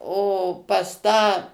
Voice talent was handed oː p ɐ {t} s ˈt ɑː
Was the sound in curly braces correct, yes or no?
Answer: no